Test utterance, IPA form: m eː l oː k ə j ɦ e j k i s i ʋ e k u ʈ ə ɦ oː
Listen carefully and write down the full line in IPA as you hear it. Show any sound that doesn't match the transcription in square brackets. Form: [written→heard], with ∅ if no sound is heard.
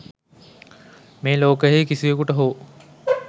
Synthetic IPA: m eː l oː k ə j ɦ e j k i s i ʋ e k u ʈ ə ɦ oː